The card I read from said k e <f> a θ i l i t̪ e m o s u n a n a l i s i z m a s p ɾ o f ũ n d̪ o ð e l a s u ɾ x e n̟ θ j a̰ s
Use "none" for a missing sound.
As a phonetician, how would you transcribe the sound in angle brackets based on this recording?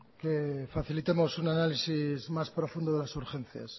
f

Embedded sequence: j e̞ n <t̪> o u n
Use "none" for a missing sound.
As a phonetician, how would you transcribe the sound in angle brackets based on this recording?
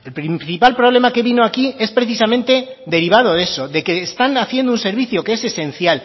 d̪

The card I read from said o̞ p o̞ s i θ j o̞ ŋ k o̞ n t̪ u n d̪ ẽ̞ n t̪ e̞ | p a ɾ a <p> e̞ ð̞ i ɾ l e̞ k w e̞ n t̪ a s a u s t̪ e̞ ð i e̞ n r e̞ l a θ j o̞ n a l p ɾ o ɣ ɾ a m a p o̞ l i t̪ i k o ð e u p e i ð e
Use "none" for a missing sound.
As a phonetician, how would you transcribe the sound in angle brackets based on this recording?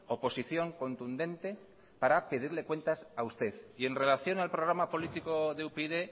p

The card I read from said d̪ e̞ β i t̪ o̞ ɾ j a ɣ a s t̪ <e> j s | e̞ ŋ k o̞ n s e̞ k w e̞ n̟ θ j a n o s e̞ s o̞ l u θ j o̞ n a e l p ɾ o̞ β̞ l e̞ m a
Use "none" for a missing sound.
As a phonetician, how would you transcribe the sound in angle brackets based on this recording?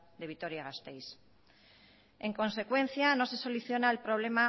e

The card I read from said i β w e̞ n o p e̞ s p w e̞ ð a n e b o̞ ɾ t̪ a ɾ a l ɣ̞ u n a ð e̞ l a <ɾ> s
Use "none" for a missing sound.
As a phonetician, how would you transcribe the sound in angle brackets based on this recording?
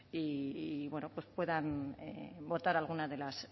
none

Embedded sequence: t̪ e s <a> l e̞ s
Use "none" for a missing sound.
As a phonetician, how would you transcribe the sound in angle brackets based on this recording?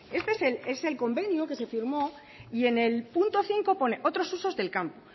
e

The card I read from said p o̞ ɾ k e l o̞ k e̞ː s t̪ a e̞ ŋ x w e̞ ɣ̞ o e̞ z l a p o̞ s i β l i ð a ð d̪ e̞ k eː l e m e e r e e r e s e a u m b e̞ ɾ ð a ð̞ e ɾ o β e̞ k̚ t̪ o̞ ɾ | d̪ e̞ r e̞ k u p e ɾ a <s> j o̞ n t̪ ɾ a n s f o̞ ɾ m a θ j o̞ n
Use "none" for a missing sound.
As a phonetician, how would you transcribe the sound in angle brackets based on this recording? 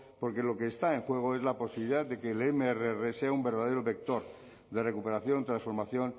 θ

